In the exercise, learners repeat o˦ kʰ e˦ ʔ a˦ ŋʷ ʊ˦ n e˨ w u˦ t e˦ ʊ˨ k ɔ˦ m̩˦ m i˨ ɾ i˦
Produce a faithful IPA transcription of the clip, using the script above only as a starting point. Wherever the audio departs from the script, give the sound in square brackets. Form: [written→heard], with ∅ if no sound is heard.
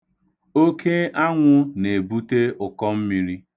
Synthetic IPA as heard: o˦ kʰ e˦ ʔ a˦ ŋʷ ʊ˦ n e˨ [w→b] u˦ t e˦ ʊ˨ k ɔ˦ m̩˦ m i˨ ɾ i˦